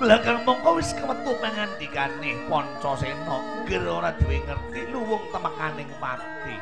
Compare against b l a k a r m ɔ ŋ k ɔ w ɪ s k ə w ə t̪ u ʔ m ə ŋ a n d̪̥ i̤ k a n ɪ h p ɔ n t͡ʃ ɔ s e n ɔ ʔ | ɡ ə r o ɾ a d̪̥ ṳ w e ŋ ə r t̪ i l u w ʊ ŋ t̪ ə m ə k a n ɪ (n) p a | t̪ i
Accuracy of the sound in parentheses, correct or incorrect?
incorrect